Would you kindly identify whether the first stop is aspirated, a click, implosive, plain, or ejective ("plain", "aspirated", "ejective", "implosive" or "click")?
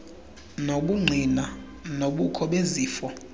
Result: implosive